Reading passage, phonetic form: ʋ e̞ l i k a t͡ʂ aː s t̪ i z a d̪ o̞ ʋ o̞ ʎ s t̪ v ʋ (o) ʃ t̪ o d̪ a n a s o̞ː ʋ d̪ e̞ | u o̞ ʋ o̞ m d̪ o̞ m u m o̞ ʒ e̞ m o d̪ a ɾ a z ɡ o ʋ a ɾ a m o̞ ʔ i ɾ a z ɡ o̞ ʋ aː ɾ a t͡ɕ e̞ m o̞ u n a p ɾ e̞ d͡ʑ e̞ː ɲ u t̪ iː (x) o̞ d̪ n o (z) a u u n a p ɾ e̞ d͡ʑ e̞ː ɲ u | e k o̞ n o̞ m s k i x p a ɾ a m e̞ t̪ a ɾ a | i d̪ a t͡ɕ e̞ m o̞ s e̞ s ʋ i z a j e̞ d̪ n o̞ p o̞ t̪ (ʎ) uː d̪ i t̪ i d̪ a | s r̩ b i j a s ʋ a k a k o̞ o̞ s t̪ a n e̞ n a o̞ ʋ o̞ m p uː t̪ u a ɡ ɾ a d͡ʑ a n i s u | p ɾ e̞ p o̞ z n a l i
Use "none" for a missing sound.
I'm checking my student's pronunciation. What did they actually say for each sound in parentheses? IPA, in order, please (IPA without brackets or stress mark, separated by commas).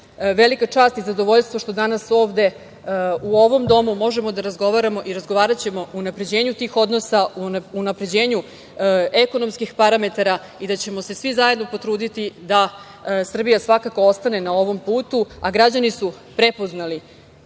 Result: o, x, s, ɾ